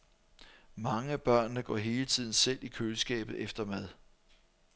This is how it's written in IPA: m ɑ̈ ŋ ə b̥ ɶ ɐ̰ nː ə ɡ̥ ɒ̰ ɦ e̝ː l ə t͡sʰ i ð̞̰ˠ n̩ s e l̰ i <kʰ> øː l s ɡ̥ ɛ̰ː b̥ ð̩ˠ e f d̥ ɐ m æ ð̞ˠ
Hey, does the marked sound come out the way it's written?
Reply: yes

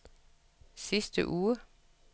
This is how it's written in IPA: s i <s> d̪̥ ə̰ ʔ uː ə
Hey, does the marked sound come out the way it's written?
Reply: yes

